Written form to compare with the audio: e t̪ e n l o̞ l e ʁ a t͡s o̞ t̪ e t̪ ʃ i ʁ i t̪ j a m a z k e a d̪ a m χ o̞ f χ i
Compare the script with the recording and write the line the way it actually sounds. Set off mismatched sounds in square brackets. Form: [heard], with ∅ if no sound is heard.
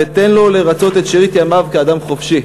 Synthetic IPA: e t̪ e n l o̞ l e ʁ a t͡s o̞ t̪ e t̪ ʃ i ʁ i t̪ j a m a [v] k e a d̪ a m χ o̞ f [ʃ] i